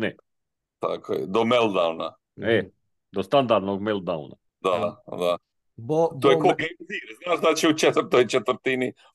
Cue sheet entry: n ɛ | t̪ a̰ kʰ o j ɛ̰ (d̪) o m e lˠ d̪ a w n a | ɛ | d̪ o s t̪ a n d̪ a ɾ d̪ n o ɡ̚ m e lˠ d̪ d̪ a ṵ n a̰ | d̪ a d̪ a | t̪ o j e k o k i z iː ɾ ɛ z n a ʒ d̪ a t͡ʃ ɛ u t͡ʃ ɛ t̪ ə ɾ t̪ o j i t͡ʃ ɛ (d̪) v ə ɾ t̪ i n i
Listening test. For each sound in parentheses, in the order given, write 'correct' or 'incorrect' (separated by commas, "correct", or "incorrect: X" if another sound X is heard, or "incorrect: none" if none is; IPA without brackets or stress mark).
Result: correct, incorrect: t̪